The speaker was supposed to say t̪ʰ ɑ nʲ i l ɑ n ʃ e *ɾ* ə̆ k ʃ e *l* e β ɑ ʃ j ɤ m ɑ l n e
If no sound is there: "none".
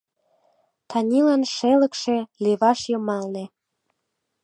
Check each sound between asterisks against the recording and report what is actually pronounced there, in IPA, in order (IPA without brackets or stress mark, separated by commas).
l, l